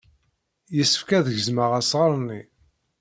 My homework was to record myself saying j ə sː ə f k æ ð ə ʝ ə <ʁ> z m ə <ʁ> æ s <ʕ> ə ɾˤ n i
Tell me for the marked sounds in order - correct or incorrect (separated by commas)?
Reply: incorrect, correct, incorrect